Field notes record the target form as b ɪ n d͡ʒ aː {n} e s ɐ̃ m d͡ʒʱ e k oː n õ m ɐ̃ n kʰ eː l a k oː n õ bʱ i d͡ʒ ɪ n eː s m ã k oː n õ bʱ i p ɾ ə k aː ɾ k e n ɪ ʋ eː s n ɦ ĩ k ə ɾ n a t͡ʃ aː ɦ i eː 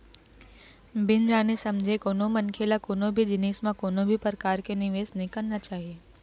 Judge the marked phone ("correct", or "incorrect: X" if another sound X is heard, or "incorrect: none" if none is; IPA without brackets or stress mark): correct